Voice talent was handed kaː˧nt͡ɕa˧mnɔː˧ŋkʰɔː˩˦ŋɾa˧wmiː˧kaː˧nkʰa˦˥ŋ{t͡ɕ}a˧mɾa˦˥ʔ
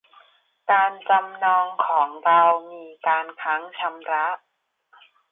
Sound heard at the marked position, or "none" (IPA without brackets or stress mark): t͡ɕʰ